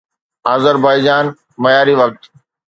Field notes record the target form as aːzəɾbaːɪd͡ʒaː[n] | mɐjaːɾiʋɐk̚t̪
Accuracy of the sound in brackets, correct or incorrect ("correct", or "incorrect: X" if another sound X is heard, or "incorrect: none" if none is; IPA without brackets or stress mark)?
correct